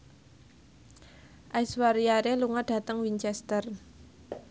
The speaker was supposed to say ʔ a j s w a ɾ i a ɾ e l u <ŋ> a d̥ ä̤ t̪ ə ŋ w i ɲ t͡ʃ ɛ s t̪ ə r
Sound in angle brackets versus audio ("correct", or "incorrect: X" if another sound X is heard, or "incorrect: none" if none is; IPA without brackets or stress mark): correct